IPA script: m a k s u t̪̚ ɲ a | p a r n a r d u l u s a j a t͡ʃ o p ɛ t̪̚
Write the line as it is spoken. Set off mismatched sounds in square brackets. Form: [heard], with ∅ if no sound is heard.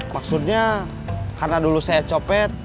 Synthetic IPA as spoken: m a k s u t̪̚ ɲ a | [k] a r n a [∅] d u l u s a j a t͡ʃ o p ɛ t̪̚